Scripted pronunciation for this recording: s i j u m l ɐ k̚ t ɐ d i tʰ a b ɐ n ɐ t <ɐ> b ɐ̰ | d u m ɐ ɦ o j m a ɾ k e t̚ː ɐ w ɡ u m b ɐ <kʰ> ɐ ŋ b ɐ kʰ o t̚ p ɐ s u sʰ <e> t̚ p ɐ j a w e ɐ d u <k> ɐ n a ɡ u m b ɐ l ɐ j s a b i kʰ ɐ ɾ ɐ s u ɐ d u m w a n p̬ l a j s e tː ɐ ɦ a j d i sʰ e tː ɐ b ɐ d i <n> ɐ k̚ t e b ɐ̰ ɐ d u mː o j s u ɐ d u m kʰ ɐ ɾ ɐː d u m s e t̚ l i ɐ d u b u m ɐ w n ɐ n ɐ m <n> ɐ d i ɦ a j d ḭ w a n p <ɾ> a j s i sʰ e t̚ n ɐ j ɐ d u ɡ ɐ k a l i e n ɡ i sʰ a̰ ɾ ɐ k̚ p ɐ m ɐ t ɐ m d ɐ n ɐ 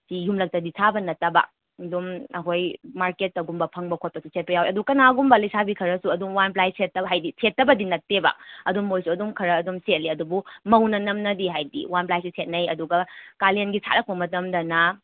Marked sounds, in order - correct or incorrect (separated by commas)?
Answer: correct, incorrect, correct, correct, correct, correct, incorrect